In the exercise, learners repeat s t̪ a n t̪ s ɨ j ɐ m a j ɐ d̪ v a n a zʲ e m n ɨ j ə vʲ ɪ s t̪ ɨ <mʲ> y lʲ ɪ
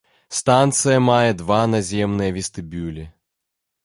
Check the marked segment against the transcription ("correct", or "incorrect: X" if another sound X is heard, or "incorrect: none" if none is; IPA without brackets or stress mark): incorrect: bʲ